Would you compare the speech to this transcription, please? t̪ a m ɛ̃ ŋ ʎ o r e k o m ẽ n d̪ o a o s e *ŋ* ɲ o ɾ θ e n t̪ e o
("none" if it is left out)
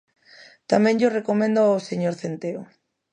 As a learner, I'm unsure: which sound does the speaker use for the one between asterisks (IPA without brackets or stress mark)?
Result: none